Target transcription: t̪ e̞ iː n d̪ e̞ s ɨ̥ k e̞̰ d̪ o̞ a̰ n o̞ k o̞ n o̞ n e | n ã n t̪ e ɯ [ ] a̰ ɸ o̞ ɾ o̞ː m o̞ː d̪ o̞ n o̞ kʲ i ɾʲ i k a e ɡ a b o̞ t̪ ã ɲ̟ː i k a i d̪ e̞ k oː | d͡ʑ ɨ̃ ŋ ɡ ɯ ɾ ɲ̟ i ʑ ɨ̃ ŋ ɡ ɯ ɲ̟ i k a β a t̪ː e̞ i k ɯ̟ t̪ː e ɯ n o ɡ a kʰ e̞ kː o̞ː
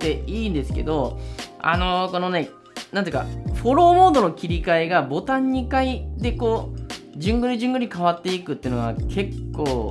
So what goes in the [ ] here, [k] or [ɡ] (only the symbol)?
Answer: k